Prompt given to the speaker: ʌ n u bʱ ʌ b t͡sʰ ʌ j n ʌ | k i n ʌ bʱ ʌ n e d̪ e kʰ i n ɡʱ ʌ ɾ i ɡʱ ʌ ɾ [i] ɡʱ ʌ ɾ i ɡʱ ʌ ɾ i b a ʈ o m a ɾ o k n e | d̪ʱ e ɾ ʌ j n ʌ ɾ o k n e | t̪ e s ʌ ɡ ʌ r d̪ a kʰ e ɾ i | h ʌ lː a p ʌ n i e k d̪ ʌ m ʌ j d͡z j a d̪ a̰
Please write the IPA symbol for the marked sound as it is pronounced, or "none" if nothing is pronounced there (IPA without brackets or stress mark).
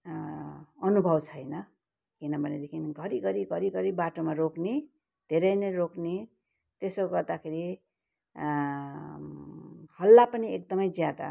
i